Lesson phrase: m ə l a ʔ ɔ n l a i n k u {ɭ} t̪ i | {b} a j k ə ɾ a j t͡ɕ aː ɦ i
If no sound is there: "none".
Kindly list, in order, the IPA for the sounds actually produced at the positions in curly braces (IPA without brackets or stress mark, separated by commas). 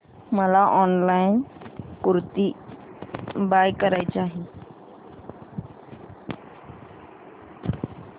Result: ɾ, b